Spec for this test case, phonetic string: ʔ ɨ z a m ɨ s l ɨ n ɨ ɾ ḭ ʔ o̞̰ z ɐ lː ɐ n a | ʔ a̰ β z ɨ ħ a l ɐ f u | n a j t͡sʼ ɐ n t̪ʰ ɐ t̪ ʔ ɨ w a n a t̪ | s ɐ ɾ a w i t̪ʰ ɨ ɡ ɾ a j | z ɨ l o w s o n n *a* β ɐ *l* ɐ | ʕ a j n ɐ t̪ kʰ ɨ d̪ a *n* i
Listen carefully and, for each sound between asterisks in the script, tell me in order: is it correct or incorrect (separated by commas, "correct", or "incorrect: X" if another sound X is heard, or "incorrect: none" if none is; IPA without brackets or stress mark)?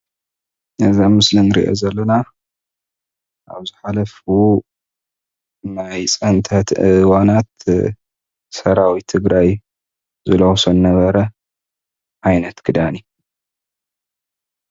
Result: incorrect: ɐ, incorrect: ɾ, correct